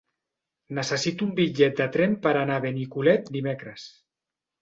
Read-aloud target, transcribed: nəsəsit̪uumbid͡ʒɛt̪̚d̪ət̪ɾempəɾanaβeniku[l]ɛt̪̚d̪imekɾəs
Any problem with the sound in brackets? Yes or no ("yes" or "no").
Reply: no